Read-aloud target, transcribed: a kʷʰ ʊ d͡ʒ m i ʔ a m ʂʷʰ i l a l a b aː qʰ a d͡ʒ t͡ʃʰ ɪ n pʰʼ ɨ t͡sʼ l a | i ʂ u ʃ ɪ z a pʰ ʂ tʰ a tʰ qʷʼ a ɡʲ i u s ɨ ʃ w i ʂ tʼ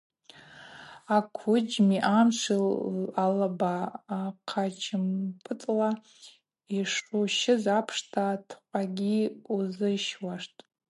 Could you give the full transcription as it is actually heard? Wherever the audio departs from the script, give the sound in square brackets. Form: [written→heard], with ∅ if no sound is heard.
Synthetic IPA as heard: a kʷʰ ʊ d͡ʒ m i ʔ a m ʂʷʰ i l a l a b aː qʰ a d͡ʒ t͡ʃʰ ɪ [n→m] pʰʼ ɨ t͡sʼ l a | i ʂ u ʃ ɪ z a pʰ ʂ tʰ a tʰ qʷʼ a ɡʲ i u [s→z] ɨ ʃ w [i→a] ʂ tʼ